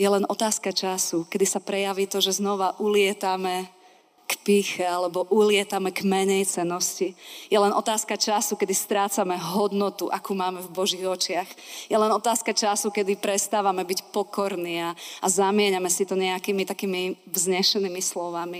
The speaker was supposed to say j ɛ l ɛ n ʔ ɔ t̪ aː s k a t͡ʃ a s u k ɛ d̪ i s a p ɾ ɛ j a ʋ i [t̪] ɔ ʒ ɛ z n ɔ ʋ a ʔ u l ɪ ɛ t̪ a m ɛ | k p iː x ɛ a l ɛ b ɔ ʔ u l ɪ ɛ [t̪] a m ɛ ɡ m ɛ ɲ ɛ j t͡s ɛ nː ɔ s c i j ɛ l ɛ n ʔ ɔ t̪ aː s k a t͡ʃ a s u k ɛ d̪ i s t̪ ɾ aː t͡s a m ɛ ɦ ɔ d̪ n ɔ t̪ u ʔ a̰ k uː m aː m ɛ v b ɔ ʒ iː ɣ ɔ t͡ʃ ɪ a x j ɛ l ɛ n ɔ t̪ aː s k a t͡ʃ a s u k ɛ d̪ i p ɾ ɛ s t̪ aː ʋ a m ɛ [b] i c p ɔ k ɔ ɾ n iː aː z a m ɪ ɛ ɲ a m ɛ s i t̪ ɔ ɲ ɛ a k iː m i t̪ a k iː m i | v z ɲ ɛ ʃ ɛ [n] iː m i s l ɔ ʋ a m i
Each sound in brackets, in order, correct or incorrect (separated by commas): correct, correct, correct, correct